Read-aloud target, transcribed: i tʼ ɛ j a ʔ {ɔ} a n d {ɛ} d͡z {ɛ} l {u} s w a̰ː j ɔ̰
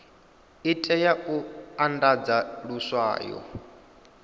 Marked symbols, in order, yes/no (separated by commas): no, no, no, yes